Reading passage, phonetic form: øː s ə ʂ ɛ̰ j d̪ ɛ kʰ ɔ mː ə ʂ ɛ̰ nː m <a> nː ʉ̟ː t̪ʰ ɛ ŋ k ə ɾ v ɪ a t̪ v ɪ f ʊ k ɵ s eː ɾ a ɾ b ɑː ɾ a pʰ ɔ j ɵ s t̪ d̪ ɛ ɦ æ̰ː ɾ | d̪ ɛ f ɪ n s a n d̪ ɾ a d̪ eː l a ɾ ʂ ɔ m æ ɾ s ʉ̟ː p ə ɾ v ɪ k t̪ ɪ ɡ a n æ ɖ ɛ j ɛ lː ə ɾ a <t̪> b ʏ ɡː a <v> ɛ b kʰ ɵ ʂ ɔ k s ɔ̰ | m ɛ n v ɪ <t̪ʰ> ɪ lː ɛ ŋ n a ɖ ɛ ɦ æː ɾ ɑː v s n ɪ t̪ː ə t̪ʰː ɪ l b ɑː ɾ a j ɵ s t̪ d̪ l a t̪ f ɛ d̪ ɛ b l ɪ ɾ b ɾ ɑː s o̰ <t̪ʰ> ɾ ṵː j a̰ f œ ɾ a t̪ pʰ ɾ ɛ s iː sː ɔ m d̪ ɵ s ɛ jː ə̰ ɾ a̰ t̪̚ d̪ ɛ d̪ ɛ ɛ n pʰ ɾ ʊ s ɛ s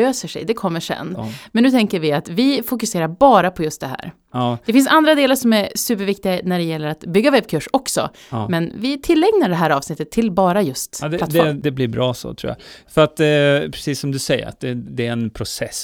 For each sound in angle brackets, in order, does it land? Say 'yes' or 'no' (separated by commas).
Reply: no, yes, yes, yes, yes